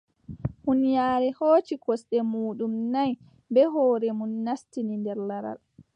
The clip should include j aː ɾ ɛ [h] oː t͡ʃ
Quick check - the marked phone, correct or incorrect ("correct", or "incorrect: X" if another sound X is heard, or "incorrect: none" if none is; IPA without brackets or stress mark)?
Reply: correct